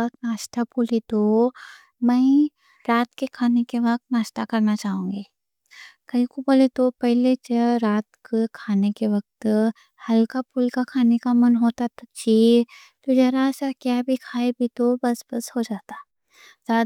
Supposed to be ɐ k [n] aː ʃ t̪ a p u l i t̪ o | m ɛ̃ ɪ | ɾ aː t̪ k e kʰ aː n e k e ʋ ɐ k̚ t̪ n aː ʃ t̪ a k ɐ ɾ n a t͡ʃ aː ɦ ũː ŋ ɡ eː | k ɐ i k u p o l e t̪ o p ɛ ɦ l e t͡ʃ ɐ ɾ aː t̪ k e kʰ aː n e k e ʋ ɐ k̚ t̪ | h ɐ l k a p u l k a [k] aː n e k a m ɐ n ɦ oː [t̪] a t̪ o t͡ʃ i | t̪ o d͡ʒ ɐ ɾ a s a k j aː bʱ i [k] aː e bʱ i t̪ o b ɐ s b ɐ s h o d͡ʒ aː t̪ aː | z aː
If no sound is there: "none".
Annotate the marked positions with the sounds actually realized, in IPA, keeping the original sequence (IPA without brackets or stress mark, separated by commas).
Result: n, kʰ, t̪, kʰ